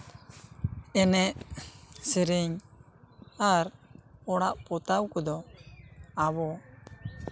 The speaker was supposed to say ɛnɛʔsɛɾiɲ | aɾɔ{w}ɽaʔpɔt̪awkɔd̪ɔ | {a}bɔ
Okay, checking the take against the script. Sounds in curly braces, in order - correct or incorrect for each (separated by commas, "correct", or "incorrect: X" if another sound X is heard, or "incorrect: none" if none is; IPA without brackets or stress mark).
incorrect: none, correct